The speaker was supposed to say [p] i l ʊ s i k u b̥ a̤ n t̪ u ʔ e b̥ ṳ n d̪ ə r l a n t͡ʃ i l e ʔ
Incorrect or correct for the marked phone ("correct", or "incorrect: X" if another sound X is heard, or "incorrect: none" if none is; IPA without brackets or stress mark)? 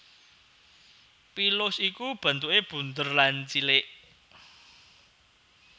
correct